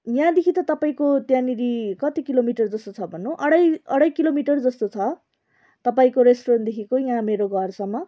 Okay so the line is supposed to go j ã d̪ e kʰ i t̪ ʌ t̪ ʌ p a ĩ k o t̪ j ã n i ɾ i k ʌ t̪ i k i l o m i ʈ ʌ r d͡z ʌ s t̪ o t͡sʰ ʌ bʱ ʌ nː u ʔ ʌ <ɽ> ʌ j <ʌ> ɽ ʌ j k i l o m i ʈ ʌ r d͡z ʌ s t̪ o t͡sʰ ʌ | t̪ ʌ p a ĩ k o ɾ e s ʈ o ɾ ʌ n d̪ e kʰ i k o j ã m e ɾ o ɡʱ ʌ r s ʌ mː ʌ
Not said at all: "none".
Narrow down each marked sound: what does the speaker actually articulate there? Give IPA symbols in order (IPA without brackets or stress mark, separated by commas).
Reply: ɽ, ʌ